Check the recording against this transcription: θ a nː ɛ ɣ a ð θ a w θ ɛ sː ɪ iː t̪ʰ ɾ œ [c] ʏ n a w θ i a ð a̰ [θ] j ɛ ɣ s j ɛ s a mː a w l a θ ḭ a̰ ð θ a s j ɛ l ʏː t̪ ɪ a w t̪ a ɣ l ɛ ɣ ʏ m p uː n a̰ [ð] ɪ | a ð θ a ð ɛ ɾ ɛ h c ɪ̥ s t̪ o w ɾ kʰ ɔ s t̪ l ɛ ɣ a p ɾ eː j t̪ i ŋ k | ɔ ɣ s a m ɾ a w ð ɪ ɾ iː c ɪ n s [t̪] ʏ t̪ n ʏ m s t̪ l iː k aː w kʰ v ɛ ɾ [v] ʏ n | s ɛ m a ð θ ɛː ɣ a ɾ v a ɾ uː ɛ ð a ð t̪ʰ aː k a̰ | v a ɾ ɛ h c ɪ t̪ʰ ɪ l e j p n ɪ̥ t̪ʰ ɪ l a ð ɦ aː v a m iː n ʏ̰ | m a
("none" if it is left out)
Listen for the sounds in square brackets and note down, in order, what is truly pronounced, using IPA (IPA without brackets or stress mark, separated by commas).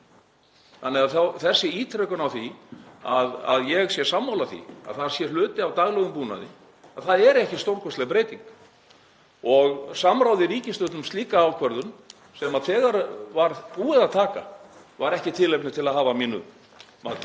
k, ð, ð, t̪, ð